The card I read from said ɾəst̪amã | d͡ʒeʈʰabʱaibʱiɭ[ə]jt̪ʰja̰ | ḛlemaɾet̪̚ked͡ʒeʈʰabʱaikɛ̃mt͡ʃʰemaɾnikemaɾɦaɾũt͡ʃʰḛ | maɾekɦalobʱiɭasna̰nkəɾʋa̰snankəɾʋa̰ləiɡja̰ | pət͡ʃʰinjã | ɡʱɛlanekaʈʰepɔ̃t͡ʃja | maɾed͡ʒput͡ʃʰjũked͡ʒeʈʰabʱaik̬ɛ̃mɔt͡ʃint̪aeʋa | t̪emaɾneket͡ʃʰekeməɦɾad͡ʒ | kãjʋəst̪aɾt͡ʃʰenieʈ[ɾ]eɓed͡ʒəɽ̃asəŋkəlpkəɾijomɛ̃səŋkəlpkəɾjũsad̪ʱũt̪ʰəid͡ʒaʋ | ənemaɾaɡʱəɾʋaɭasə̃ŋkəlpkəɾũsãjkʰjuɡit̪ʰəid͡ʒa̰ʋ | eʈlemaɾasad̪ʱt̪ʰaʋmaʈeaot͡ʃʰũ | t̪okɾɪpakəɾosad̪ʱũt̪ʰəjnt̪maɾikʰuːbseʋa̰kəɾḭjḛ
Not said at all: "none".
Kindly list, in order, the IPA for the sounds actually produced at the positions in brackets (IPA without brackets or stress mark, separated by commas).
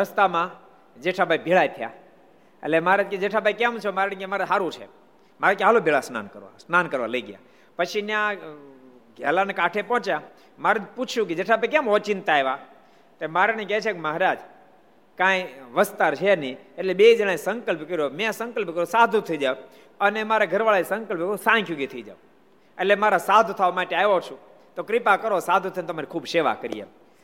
a, l